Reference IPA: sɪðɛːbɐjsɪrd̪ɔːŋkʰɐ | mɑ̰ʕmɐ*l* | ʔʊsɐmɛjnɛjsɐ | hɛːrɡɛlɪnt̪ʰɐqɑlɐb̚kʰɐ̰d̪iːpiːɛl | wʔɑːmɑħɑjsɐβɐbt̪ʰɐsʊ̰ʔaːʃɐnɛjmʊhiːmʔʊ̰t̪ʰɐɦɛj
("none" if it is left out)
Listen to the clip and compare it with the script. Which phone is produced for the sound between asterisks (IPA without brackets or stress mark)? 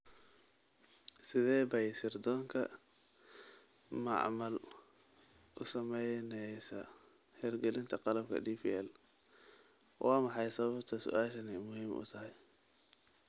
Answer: l